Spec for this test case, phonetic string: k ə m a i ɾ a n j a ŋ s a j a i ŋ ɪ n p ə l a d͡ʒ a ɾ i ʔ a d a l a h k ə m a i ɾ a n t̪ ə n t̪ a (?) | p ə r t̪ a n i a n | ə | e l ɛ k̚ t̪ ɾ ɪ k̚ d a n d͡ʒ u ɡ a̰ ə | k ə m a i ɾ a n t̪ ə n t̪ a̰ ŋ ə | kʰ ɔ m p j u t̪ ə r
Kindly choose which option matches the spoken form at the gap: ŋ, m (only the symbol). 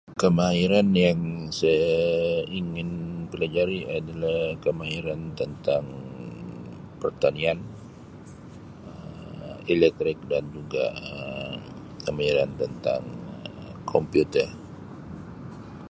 ŋ